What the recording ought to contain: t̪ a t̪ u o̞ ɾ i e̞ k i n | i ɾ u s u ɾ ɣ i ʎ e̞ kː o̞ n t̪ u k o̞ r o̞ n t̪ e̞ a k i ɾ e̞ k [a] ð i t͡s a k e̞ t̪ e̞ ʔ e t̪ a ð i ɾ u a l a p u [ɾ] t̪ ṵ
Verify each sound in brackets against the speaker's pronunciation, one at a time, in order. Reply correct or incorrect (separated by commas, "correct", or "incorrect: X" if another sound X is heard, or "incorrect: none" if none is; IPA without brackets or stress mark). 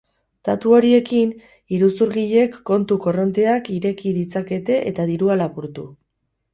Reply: incorrect: i, correct